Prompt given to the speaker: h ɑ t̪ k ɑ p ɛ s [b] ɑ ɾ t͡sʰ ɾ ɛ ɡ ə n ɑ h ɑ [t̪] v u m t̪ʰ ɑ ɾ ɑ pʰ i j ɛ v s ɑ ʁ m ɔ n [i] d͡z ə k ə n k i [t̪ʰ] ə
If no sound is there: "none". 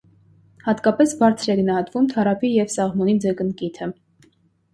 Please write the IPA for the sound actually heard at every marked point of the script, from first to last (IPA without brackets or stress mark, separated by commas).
b, t̪, i, t̪ʰ